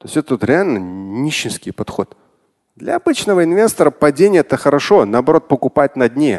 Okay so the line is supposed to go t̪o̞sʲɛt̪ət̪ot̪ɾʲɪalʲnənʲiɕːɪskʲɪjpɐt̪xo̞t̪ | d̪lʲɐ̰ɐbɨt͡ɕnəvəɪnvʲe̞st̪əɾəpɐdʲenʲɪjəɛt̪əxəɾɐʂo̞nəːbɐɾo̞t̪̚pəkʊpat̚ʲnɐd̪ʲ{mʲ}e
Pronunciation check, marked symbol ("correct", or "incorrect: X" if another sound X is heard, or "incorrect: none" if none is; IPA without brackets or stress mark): incorrect: nʲ